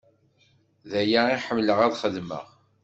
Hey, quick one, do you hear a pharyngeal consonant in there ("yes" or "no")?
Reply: yes